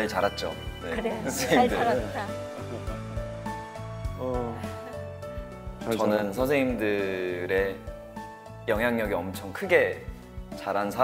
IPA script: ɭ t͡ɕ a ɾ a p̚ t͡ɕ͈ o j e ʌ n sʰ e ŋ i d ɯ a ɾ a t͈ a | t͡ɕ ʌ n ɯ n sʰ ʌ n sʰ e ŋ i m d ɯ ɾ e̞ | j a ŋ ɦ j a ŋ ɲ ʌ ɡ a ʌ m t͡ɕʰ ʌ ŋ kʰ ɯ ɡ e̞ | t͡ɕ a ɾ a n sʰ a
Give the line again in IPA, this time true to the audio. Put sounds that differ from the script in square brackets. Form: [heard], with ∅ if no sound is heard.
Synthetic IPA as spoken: ɭ t͡ɕ a ɾ a [t̚] t͡ɕ͈ o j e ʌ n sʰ e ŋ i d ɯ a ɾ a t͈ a | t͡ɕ ʌ n ɯ n sʰ ʌ n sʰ e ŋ i m d ɯ ɾ e̞ | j [ʌ] ŋ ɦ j a ŋ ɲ ʌ ɡ [i] ʌ m t͡ɕʰ ʌ ŋ kʰ ɯ ɡ e̞ | t͡ɕ a ɾ a n sʰ a